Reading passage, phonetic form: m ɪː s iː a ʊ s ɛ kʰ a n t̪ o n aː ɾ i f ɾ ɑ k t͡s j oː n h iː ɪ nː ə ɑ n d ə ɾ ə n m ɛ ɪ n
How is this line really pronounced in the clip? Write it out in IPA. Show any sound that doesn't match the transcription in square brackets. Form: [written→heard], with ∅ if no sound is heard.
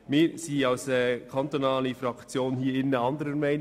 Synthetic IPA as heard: m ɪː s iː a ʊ s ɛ kʰ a n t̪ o n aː [ɾ→l] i f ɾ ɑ k t͡s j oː n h iː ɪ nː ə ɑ n d ə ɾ ə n m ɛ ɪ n

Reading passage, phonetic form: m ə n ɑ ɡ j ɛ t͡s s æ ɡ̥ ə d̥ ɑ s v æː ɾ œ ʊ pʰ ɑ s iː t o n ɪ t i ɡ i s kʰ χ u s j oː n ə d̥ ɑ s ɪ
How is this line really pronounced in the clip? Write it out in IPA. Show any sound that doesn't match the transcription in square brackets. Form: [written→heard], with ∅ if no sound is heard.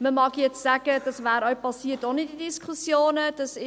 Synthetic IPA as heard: m ə [n→m] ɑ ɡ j ɛ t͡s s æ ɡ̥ ə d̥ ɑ s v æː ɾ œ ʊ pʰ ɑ s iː t o n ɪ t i [ɡ→d] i s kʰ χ u s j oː n ə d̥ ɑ s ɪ

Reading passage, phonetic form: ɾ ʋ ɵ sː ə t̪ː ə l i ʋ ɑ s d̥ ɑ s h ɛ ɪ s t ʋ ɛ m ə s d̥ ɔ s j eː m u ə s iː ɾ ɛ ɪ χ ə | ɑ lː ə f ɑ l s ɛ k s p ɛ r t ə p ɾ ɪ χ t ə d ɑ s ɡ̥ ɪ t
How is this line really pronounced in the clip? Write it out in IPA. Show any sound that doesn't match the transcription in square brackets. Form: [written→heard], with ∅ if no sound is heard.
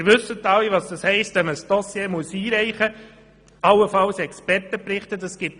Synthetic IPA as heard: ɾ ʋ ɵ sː ə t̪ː [ə→ɑ] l i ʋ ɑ s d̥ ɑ s h ɛ ɪ s t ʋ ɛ m ə s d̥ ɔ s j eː m u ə s iː ɾ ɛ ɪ χ ə | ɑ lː ə f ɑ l s ɛ k s p ɛ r t ə p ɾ ɪ χ t ə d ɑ s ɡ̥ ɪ t

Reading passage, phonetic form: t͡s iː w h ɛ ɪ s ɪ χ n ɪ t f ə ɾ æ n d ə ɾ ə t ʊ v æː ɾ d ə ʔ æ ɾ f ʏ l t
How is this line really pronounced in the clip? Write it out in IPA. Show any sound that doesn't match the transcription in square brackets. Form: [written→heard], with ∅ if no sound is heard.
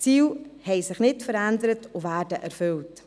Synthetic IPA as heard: t͡s iː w h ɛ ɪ s ɪ χ n ɪ t f ə ɾ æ n d ə ɾ ə t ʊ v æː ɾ d ə ʔ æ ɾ f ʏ l t

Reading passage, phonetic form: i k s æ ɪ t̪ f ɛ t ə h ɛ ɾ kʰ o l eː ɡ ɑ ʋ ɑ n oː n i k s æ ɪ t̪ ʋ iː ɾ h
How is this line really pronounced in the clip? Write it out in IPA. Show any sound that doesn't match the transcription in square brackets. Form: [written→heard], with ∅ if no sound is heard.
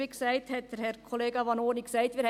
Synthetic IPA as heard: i k s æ ɪ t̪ [f→h] ɛ t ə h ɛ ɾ kʰ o l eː ɡ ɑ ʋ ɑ n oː n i k s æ ɪ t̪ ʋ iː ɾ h

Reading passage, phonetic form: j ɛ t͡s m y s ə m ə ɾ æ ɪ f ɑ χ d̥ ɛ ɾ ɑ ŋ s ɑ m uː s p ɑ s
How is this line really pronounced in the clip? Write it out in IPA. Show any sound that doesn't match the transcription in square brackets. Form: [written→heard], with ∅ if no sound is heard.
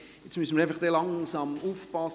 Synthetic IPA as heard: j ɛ t͡s m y s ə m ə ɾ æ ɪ f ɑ χ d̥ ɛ [ɾ→l] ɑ ŋ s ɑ m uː [s→f] p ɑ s

